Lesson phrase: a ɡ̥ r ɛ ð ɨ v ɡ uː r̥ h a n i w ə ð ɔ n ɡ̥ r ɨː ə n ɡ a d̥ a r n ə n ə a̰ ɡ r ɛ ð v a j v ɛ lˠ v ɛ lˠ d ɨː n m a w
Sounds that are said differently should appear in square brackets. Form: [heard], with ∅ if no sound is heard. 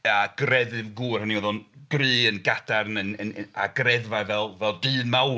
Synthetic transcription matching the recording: a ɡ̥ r ɛ ð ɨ v ɡ uː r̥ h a n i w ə ð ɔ n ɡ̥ r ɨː ə n ɡ a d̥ a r n ə n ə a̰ ɡ r ɛ ð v a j v ɛ lˠ v ɛ lˠ d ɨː n m a w